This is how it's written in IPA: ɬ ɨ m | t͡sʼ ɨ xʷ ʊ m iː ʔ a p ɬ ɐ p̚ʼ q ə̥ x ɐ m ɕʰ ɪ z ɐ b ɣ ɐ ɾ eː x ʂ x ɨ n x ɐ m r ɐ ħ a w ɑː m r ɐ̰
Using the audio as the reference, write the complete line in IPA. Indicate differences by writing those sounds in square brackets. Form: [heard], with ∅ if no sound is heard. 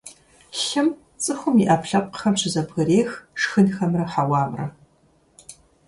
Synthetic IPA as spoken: ɬ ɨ m | t͡sʼ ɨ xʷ ʊ m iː ʔ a p ɬ ɐ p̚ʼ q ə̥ x ɐ m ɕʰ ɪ z ɐ b ɣ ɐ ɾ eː x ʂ x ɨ n x ɐ m r ɐ ħ a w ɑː m r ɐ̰